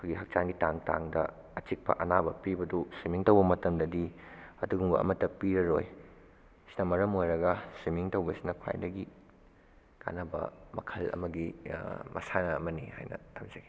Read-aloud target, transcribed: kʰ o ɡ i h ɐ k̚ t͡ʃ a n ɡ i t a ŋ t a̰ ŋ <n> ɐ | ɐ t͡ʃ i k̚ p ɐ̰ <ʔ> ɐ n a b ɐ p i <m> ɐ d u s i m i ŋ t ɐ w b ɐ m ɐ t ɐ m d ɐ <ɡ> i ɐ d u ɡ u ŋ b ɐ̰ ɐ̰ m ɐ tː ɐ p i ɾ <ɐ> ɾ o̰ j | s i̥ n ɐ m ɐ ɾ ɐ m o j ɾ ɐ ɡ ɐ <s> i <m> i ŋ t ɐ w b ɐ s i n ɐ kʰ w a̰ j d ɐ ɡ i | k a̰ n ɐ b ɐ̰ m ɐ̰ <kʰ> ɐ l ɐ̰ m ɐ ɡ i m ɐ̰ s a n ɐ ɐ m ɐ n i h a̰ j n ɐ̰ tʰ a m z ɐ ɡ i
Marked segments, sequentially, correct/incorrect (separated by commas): incorrect, correct, incorrect, incorrect, correct, correct, correct, correct